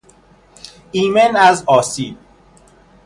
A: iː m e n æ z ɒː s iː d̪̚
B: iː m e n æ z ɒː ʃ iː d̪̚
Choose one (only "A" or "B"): A